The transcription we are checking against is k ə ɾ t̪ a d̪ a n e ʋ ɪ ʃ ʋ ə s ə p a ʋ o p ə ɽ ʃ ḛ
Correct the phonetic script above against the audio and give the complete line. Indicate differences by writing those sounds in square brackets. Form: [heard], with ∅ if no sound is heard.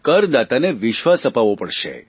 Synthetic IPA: k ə ɾ [d̪] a [t̪] a n e ʋ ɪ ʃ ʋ [a] s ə p a ʋ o p ə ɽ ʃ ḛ